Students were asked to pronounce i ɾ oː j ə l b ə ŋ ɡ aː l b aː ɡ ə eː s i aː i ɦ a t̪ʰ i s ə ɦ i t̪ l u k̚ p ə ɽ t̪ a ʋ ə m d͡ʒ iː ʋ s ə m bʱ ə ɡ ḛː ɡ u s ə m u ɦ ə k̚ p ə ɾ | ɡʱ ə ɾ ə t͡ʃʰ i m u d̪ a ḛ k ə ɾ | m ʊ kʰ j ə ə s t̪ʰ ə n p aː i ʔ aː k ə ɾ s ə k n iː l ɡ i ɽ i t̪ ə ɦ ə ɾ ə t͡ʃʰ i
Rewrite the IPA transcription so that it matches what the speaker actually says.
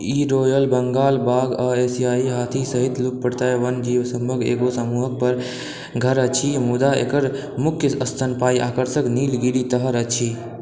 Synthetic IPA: i ɾ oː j ə l b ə ŋ ɡ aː l b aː ɡ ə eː s i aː i ɦ a t̪ʰ i s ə ɦ i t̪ l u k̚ p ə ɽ t̪ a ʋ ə n d͡ʒ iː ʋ s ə m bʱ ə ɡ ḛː ɡ o s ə m u ɦ ə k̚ p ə ɾ | ɡʱ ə ɾ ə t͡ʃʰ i m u d̪ a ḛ k ə ɾ | m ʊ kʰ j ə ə s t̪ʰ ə n p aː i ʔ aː k ə ɾ s ə k n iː l ɡ i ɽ i t̪ ə ɦ ə ɾ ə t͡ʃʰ i